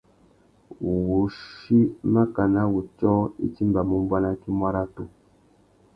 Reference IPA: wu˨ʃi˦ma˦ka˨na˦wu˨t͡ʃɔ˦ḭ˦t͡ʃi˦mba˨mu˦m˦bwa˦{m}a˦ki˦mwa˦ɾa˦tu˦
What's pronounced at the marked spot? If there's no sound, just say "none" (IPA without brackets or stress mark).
n